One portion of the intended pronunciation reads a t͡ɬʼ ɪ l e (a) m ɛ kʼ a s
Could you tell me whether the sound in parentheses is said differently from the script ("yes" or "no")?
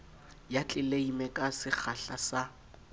yes